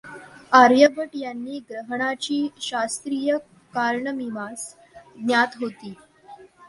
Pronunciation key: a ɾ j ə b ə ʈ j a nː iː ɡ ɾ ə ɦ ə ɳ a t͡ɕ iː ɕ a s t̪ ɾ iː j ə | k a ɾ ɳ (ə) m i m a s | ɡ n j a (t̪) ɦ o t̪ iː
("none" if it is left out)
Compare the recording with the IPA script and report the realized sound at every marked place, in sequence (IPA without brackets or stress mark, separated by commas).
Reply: ə, t̪